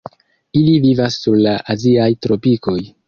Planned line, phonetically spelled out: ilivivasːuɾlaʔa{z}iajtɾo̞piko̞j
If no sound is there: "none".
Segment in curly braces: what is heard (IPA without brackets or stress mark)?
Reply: z